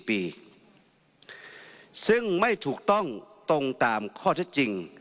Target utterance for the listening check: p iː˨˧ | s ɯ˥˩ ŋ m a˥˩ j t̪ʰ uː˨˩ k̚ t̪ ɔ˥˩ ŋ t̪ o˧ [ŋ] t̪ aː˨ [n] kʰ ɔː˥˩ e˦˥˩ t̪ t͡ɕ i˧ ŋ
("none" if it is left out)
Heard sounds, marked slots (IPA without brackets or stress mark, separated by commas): ŋ, m